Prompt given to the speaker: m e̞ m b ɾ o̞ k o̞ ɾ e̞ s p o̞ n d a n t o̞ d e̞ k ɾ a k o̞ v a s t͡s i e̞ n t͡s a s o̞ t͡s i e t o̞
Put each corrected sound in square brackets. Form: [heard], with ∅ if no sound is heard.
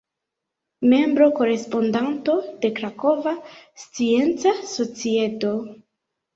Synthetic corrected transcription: m e̞ m b ɾ o̞ k o̞ ɾ e̞ s p o̞ n d a n t o̞ d e̞ k ɾ a k o̞ v a s t͡s i e̞ n t͡s a s o̞ t͡s i e t o̞